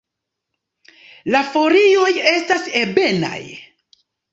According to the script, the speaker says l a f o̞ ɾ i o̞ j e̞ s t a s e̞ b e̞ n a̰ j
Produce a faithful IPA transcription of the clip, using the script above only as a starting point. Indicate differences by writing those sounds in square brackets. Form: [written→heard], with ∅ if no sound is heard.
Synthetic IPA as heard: l a f o̞ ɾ i o̞ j e̞ s t a s e̞ b e̞ n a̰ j